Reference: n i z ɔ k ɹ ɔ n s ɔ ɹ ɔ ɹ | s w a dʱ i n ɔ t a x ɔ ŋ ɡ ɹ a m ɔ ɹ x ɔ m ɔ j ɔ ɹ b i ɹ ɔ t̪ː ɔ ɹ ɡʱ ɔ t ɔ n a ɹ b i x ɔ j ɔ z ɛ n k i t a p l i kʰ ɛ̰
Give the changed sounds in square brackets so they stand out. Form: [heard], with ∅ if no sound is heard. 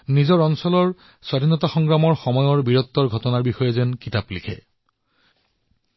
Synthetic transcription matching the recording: n i z ɔ [∅] ɹ ɔ n s ɔ [l] ɔ ɹ | s w a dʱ i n ɔ t a x ɔ ŋ ɡ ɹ a m ɔ ɹ x ɔ m ɔ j ɔ ɹ b i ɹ ɔ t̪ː ɔ ɹ ɡʱ ɔ t ɔ n a ɹ b i x ɔ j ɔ z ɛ n k i t a p l i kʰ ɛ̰